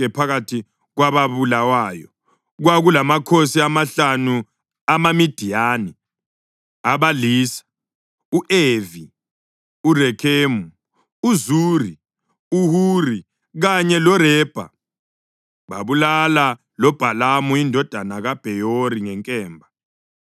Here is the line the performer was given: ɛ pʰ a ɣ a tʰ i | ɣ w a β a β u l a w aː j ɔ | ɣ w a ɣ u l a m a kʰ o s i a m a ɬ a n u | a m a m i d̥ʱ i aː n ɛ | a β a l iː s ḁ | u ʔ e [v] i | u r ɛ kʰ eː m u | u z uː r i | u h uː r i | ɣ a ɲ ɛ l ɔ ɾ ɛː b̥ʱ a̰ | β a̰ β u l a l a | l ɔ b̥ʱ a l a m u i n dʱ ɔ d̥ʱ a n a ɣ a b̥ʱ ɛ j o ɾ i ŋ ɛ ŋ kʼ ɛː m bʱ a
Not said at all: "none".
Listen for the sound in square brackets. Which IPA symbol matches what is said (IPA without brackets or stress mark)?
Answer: v